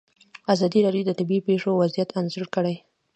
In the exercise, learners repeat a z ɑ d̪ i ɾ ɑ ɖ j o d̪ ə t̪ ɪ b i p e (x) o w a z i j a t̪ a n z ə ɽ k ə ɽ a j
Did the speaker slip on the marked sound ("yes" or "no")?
yes